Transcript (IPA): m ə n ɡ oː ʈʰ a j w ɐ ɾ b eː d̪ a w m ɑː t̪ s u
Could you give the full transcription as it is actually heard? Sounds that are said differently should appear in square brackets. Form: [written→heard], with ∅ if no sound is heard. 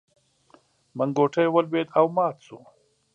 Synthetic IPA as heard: m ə [n→ŋ] ɡ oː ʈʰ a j w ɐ [ɾ→l] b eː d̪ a w m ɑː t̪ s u